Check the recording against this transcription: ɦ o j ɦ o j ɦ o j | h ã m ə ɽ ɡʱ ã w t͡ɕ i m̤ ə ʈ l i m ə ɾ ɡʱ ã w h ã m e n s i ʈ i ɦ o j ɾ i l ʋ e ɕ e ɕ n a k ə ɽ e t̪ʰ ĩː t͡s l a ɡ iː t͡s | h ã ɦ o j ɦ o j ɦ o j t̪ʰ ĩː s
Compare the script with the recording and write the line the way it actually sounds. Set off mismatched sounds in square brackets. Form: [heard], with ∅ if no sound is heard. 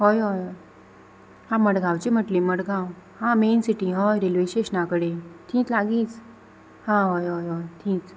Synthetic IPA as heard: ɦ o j ɦ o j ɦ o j | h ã m ə ɽ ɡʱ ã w t͡ɕ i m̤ ə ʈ l i m ə [ɽ] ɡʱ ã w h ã m e n s i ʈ i ɦ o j ɾ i l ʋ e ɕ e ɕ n a k ə ɽ e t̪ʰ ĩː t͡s l a ɡ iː t͡s | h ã ɦ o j ɦ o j ɦ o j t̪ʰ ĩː [t͡s]